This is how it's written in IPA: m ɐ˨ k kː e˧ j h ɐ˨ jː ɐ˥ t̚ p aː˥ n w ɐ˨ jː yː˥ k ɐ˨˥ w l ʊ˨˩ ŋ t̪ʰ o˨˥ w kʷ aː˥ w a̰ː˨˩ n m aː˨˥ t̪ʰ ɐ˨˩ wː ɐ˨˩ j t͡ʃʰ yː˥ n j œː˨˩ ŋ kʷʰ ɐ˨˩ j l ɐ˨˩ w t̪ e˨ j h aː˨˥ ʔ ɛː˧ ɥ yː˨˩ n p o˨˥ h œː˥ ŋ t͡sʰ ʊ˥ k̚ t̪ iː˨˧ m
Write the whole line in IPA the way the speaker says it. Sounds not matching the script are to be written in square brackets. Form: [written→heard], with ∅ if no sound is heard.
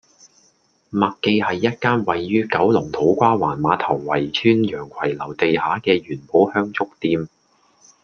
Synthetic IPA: m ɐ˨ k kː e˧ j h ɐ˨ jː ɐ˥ t̚ [p→k] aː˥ n w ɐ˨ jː yː˥ k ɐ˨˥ w l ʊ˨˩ ŋ t̪ʰ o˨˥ w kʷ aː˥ w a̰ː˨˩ n m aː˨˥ t̪ʰ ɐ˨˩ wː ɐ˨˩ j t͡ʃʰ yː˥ n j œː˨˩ ŋ kʷʰ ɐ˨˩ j l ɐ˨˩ w t̪ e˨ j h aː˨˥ [ʔ→k] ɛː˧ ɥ yː˨˩ n p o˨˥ h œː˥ ŋ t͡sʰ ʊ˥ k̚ t̪ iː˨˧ m